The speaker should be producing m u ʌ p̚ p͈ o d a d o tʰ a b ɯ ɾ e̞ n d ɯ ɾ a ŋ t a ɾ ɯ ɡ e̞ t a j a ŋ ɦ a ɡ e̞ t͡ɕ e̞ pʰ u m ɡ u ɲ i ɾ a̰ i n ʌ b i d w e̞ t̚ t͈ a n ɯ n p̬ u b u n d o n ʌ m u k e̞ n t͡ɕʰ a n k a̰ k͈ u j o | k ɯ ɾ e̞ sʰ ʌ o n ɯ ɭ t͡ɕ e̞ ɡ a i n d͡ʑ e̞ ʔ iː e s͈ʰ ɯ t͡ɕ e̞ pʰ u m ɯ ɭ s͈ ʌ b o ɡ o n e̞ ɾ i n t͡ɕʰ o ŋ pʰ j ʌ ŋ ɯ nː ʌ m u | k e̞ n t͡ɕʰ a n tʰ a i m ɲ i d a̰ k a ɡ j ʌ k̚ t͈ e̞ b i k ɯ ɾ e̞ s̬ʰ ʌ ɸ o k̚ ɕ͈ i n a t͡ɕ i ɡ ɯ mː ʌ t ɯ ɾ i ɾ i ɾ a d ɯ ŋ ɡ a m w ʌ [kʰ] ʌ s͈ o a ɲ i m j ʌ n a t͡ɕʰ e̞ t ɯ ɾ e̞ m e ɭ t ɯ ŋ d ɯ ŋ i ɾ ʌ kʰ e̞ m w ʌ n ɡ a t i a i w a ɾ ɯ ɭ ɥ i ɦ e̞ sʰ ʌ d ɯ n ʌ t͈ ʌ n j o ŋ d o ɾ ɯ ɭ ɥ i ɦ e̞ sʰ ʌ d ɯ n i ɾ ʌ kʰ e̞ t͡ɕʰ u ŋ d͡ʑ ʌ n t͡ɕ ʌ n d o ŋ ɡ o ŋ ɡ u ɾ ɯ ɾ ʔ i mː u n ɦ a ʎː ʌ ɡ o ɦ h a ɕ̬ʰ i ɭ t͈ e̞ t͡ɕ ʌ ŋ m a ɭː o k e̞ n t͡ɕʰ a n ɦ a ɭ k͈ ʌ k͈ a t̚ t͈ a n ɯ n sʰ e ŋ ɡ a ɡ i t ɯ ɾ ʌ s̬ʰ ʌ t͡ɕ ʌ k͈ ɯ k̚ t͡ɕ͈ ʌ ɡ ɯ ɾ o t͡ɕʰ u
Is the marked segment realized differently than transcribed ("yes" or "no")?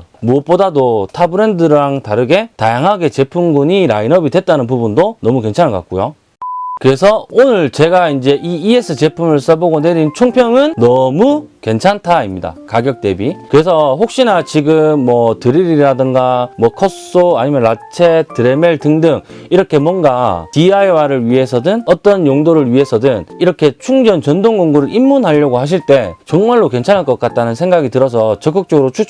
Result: no